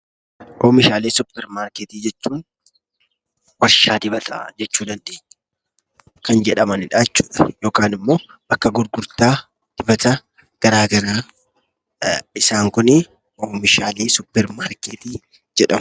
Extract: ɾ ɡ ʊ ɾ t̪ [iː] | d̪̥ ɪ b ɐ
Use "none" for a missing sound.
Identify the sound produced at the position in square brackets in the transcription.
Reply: aː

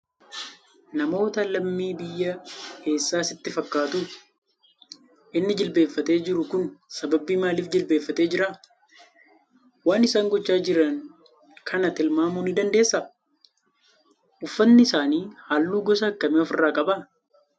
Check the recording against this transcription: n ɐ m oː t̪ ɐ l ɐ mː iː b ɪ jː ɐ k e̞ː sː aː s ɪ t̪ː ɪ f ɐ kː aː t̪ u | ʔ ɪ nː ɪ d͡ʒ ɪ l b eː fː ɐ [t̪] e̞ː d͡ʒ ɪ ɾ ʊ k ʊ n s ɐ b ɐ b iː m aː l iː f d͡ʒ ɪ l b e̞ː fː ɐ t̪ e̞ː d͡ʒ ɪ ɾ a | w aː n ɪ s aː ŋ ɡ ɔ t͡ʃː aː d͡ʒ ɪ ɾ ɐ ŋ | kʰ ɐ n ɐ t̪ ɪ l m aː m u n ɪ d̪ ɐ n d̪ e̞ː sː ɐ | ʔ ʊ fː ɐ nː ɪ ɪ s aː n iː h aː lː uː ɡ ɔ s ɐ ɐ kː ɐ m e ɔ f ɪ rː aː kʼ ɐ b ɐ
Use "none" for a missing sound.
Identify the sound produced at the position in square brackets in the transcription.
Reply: t̪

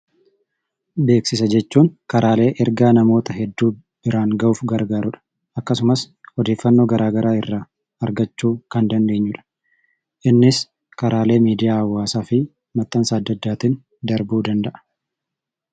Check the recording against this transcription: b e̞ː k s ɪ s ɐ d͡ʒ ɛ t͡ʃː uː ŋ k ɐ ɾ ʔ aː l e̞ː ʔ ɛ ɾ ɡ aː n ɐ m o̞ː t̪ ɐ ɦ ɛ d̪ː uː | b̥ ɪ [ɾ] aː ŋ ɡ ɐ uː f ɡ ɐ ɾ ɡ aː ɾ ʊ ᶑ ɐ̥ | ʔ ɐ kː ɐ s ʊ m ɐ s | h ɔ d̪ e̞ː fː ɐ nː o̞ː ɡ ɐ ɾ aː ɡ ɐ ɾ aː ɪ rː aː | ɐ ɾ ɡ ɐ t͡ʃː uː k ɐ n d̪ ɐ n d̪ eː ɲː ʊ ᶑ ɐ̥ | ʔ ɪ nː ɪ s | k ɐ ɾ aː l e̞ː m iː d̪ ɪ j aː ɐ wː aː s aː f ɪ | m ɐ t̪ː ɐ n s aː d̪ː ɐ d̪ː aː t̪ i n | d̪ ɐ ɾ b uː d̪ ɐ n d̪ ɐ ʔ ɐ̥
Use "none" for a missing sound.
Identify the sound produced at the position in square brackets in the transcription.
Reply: ɾ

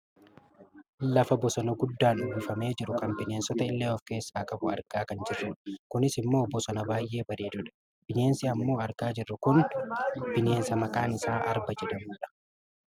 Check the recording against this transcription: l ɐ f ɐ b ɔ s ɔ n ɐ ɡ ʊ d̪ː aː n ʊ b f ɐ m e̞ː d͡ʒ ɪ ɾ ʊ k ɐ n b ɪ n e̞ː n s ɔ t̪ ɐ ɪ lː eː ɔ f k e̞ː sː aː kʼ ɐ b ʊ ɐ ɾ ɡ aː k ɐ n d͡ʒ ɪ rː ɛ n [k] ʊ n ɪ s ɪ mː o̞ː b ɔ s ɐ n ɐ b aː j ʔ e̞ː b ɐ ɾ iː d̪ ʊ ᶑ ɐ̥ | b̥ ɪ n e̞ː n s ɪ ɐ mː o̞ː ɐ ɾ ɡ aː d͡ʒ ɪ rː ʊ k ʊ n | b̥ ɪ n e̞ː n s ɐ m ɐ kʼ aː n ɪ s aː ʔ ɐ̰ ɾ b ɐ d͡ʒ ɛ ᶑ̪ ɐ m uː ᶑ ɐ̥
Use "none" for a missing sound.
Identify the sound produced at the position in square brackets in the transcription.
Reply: k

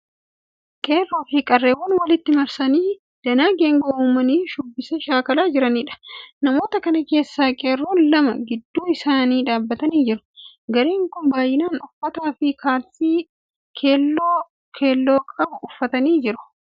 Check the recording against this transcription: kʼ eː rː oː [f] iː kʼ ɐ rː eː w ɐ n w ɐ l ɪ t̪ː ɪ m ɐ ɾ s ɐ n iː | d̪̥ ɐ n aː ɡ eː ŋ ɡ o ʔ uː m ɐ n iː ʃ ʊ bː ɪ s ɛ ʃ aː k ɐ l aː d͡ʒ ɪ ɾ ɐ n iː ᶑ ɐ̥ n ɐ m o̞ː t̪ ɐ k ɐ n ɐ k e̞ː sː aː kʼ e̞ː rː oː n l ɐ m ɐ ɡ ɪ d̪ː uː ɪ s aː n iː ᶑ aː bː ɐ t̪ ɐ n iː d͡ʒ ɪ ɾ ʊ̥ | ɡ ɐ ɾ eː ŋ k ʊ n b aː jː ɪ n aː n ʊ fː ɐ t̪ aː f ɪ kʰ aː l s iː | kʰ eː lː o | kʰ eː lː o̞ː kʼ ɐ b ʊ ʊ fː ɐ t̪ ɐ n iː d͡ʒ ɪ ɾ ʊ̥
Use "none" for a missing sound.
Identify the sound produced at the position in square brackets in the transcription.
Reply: f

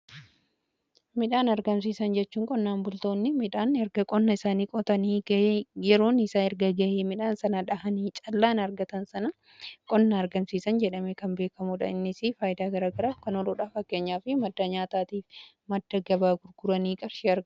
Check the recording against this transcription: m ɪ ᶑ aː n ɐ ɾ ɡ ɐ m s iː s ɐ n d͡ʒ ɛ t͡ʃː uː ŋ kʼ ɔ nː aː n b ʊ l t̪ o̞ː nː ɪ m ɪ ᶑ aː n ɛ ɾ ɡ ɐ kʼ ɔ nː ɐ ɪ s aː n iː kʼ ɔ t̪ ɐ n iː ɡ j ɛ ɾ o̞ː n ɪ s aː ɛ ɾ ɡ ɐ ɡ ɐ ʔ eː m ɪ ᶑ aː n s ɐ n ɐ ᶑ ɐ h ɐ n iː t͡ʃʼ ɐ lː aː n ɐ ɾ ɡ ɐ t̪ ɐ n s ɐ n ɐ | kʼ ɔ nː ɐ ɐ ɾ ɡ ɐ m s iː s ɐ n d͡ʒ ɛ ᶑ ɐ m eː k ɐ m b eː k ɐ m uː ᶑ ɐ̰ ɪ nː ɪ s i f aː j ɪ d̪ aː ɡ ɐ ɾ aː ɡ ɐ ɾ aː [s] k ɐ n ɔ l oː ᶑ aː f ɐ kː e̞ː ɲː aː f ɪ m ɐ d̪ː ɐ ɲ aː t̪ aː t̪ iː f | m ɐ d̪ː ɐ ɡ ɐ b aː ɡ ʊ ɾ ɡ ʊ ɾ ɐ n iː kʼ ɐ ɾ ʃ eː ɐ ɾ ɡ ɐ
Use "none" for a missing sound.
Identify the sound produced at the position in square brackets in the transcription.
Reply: f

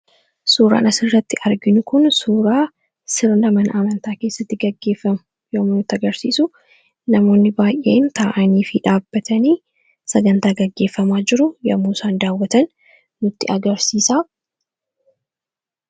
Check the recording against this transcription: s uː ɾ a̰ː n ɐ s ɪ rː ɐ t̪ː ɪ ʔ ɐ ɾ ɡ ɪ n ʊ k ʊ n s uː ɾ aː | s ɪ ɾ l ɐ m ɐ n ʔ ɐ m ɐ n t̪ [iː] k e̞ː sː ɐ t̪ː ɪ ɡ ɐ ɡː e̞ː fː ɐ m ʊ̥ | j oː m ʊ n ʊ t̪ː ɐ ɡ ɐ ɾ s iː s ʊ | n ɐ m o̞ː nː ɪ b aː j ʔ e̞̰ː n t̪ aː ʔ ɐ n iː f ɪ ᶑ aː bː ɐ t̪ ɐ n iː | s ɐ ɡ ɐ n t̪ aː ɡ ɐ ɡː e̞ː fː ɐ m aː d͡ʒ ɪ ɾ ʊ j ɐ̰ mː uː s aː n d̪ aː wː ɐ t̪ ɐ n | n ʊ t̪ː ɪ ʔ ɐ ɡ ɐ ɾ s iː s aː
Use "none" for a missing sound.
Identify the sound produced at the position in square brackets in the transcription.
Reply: aː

